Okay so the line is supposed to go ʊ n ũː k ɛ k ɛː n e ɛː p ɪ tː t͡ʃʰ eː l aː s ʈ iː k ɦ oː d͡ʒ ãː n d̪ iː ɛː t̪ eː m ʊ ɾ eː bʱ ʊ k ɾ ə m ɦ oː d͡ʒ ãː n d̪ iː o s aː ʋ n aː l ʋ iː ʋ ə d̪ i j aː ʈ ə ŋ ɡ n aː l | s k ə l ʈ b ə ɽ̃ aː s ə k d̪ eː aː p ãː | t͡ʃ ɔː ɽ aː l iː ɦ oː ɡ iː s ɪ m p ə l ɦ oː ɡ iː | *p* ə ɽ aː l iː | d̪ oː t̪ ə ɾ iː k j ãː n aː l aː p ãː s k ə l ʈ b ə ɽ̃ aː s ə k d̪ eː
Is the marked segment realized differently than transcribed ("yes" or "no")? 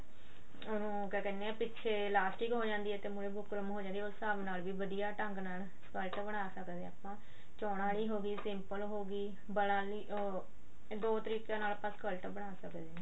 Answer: yes